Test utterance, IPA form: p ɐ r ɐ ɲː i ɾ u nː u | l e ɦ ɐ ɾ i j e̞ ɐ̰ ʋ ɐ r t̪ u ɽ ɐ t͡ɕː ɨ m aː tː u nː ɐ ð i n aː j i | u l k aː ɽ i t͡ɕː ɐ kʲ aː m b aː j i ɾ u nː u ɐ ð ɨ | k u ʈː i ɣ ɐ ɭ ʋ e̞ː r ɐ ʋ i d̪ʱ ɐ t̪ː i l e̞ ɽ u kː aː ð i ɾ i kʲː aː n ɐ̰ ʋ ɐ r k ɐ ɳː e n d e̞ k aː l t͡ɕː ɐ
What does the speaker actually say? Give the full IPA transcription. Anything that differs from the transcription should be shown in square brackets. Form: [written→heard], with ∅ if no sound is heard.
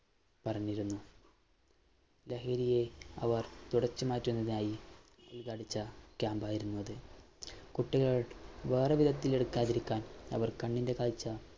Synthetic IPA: p ɐ r ɐ ɲː i ɾ u nː u | l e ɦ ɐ ɾ i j e̞ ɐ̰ ʋ ɐ r t̪ u ɽ ɐ t͡ɕː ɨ m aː tː u nː ɐ ð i n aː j i | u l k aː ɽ i t͡ɕː ɐ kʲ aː m b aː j i ɾ u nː u ɐ ð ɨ | k u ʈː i ɣ ɐ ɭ ʋ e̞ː r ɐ ʋ i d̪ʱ ɐ t̪ː i l e̞ ɽ u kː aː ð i ɾ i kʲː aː n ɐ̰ ʋ ɐ r k ɐ ɳː [e→i] n d e̞ k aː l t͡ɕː ɐ